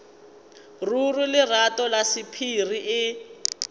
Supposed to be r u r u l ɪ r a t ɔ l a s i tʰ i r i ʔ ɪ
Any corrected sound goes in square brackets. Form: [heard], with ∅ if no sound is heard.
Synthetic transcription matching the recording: r u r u l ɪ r a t ɔ l a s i [pʰ] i r i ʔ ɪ